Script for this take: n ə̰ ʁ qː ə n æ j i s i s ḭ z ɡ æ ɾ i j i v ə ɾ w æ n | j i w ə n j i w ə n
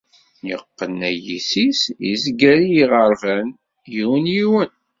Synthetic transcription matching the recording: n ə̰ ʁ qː ə n æ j i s i s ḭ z ɡ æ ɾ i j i ʁ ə ɾ v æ n | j i w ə n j i w ə n